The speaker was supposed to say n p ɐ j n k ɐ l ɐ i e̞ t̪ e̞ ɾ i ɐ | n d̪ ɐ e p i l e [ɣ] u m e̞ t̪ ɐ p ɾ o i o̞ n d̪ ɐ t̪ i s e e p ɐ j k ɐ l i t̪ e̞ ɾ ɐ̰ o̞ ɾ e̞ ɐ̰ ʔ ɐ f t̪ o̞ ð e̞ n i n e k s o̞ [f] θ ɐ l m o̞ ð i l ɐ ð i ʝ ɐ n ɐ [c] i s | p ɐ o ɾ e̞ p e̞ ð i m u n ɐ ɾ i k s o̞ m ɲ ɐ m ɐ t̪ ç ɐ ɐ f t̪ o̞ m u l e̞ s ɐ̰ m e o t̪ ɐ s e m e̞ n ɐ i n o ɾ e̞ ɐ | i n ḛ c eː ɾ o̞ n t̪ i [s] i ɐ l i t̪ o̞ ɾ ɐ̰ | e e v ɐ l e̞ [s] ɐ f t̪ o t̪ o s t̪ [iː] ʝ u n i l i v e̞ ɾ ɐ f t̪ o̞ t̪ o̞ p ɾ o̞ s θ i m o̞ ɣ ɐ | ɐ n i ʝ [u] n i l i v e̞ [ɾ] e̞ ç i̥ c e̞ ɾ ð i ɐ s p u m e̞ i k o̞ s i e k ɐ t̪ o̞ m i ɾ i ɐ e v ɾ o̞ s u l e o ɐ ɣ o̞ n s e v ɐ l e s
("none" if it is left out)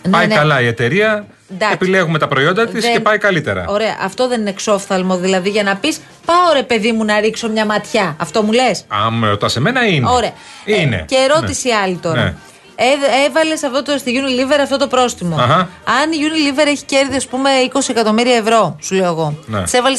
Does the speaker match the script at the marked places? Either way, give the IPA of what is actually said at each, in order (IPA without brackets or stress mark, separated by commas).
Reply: ɣ, f, p, s, s, i, u, ɾ